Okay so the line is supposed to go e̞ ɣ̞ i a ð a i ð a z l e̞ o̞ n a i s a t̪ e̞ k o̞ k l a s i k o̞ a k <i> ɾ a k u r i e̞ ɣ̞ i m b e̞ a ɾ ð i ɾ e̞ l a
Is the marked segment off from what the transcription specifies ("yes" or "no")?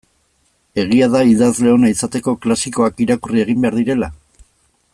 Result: no